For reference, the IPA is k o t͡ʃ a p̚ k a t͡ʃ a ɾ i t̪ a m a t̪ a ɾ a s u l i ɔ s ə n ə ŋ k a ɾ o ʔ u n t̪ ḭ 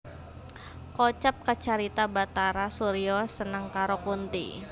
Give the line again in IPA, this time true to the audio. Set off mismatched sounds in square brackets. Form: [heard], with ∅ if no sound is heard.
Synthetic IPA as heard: k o t͡ʃ a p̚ k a t͡ʃ a ɾ i t̪ a [b] a t̪ a ɾ a s u [ɾ] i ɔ s ə n ə ŋ k a ɾ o [k] u n t̪ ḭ